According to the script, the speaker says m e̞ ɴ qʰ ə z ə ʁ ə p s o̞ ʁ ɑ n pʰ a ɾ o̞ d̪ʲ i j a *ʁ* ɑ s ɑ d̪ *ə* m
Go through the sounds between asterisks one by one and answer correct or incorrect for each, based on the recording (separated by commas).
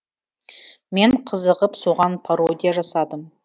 incorrect, correct